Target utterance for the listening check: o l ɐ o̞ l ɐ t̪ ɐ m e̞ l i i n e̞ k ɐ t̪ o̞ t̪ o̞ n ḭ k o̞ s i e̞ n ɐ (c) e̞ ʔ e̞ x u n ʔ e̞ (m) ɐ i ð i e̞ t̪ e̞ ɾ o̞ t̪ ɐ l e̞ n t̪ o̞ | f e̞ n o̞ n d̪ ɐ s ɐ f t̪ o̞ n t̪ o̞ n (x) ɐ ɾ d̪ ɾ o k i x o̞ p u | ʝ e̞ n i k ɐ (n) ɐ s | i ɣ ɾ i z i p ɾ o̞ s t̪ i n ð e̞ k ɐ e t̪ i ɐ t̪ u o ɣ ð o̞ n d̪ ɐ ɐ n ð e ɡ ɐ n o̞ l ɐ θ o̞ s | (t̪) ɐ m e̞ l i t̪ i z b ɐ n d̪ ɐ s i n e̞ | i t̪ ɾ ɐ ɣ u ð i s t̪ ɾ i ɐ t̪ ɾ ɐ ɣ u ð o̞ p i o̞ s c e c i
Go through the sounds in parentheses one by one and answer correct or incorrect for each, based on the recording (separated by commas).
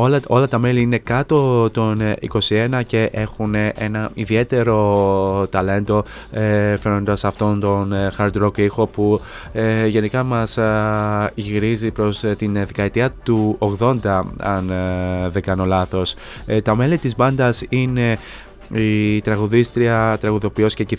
correct, incorrect, correct, incorrect, correct